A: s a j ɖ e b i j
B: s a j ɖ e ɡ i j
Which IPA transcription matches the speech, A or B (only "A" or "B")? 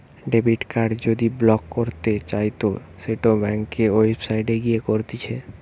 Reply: B